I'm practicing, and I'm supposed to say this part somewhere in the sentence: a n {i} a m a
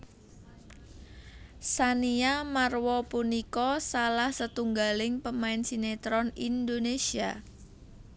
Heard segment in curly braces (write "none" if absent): i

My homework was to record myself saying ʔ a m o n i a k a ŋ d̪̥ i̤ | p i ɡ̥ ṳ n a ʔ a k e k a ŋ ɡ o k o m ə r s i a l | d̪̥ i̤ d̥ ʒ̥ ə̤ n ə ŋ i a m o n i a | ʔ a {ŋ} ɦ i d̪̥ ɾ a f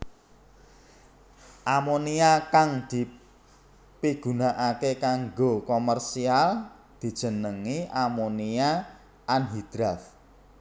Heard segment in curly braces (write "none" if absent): n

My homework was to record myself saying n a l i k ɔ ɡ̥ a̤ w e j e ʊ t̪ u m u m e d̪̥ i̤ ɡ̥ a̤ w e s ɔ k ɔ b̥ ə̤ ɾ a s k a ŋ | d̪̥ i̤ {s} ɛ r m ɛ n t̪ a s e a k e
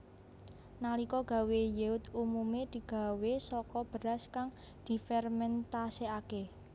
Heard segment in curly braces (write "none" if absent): f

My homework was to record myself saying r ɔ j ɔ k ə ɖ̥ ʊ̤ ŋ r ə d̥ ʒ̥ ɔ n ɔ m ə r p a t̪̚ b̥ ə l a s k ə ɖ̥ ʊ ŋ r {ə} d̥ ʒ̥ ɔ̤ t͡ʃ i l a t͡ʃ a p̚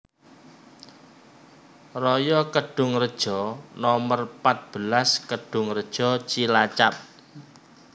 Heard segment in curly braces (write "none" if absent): ə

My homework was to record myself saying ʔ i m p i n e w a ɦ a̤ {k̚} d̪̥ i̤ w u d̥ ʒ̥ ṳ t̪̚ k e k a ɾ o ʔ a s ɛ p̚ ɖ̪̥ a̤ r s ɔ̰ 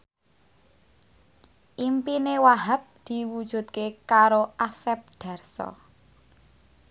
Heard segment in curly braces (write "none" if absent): p̚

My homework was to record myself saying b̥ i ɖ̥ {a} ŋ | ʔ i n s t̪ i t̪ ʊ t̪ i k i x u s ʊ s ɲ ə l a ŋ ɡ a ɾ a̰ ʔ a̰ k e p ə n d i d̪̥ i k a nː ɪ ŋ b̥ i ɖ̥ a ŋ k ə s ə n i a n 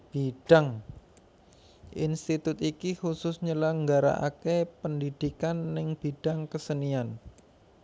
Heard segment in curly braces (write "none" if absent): a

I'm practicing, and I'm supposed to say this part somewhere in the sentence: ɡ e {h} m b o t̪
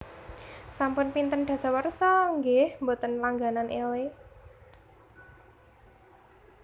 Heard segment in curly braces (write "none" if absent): h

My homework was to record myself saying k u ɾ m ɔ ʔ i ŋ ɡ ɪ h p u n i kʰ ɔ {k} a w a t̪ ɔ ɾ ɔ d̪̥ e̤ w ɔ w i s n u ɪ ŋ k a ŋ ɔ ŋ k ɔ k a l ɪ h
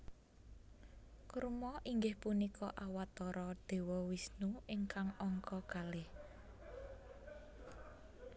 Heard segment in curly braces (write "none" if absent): ʔ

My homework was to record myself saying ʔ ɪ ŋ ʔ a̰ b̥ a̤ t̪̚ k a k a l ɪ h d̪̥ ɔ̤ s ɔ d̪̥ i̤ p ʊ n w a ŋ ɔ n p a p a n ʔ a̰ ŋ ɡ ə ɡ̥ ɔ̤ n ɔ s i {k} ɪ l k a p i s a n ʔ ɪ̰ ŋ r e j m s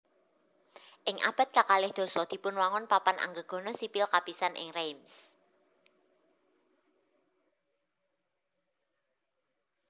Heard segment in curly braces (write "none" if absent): p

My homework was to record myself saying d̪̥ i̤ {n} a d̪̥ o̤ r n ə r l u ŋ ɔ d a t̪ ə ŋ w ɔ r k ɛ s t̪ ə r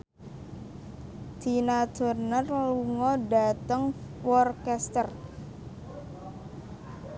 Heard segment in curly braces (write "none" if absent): n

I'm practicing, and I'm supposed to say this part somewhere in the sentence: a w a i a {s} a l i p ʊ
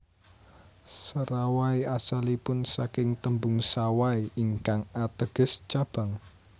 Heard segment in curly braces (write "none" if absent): s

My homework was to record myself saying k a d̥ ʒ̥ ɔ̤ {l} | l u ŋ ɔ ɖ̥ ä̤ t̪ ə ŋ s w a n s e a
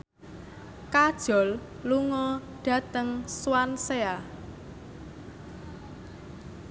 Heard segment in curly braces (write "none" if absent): l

